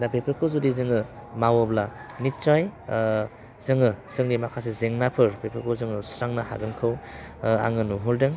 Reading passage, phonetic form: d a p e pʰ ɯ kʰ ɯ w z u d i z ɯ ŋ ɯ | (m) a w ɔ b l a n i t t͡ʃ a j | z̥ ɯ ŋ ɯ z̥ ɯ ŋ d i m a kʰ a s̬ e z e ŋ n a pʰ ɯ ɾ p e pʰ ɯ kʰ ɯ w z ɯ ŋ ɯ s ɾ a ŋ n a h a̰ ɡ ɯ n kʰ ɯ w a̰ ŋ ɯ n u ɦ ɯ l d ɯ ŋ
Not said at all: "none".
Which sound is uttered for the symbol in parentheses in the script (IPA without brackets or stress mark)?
m